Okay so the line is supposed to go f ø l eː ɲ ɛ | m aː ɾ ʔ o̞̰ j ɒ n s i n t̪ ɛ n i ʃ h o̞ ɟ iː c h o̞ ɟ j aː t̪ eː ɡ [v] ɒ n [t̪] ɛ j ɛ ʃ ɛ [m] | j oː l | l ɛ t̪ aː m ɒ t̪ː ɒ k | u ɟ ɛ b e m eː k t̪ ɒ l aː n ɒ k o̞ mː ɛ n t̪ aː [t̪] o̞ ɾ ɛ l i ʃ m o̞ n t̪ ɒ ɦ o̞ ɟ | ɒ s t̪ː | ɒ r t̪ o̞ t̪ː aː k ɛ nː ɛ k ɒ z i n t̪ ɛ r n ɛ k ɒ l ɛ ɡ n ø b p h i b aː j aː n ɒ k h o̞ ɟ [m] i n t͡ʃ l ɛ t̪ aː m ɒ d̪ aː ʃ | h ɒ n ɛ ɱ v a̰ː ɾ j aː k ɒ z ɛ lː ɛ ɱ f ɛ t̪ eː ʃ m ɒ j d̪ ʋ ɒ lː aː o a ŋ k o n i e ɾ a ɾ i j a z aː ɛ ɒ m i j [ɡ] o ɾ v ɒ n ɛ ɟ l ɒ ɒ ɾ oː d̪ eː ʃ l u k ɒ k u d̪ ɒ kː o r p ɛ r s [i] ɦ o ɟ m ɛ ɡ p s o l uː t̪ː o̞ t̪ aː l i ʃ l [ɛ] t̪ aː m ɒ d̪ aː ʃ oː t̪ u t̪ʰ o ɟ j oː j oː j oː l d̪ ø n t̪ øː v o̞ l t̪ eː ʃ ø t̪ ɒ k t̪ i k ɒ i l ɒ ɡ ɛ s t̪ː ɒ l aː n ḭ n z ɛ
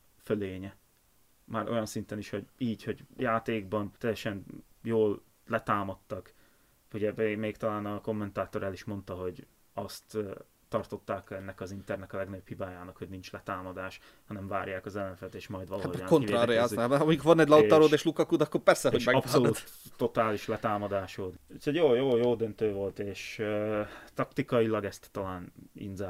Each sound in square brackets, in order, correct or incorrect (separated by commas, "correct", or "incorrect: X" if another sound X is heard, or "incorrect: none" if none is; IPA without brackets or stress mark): incorrect: b, correct, incorrect: n, correct, incorrect: n, incorrect: k, incorrect: ɛ, correct